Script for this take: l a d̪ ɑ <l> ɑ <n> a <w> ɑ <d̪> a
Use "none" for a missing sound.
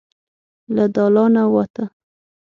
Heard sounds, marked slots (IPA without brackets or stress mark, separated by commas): l, n, w, t̪